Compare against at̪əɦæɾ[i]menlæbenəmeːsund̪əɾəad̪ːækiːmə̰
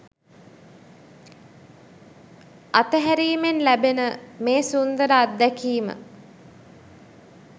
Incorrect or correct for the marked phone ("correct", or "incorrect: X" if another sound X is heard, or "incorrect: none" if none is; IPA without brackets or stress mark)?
incorrect: iː